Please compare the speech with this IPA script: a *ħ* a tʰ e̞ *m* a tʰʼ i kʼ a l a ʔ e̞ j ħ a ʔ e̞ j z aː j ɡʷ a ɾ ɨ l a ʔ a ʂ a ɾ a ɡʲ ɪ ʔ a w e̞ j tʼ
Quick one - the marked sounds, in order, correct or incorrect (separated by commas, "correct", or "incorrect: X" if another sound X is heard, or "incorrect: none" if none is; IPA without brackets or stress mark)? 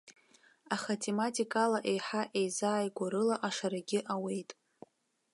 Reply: incorrect: χ, correct